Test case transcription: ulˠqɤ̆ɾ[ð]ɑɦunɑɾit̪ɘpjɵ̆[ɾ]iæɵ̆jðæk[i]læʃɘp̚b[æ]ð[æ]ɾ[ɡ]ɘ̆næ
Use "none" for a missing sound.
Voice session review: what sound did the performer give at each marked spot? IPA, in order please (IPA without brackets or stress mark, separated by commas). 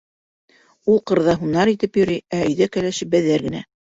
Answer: ð, ɾ, æ, æ, æ, ɡ